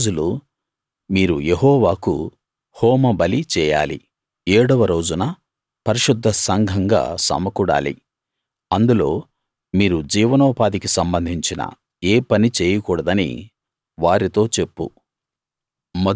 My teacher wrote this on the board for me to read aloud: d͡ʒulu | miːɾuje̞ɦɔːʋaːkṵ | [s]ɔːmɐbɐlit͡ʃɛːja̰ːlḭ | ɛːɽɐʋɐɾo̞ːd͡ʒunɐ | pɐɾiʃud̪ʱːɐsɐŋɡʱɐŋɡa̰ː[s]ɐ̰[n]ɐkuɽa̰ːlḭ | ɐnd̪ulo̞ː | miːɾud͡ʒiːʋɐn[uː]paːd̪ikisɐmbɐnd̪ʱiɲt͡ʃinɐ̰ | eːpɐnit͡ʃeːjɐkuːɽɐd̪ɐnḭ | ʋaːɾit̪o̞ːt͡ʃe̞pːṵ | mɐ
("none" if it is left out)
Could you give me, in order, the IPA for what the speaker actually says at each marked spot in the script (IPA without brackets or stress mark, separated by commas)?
h, s, m, ɔː